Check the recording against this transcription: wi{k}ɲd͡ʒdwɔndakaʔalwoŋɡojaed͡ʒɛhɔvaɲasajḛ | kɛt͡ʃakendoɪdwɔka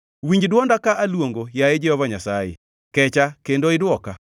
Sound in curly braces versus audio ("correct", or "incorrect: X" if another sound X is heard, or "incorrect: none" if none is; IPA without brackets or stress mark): incorrect: none